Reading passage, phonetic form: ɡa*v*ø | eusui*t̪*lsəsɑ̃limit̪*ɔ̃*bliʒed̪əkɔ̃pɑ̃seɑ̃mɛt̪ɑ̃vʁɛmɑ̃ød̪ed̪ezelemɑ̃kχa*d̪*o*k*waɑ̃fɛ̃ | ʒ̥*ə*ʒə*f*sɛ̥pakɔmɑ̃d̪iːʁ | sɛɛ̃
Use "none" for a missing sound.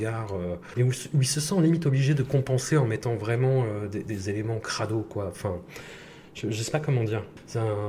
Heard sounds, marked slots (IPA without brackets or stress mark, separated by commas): ʁ, none, ɔ, d̪, k, ə, none